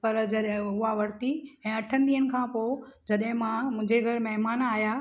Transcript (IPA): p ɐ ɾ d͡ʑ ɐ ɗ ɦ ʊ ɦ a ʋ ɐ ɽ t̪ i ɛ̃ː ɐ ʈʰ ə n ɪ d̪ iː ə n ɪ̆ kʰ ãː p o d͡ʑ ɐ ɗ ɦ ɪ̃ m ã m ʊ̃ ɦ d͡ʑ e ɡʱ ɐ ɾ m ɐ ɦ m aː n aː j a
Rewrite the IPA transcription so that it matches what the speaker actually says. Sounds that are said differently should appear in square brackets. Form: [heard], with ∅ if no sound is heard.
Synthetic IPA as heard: p ɐ ɾ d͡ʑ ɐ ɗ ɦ ʊ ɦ a ʋ ɐ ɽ t̪ i ɛ̃ː ɐ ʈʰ ə n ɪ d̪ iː ə n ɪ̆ kʰ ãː p o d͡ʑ ɐ ɗ ɦ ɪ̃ m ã m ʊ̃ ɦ d͡ʑ e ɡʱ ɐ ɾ m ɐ ɦ m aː n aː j a